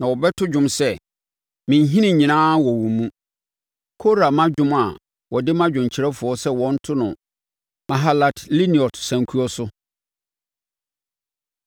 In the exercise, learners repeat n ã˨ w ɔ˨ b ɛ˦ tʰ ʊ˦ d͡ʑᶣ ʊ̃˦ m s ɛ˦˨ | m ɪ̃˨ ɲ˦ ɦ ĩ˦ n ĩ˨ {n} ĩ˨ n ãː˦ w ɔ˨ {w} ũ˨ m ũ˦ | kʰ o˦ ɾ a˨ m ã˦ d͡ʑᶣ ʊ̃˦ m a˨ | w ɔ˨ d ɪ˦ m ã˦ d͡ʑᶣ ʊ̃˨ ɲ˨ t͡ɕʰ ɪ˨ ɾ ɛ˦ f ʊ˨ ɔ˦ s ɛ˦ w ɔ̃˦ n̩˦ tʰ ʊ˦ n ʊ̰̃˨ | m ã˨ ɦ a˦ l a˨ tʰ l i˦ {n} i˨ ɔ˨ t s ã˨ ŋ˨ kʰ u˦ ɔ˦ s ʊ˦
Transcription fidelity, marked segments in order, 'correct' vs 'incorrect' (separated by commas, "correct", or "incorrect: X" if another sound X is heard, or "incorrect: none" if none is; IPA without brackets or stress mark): incorrect: ɲ, correct, correct